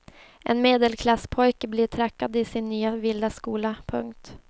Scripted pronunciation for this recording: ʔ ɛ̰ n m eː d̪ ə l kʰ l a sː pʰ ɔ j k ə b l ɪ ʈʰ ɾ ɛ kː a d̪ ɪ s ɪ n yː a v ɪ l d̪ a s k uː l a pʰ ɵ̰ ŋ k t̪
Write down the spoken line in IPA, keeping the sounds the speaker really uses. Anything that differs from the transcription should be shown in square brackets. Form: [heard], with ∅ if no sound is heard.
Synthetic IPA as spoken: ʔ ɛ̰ n m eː d̪ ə l kʰ l a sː pʰ ɔ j k ə b l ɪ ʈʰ ɾ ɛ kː a d̪ ɪ s ɪ [nː] yː a v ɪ l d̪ a s k uː l a pʰ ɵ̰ ŋ k t̪